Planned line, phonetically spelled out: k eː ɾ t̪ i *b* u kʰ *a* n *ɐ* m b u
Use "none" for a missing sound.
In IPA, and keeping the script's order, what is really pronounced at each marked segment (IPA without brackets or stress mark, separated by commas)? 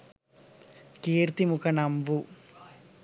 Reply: m, ɐ, ɐ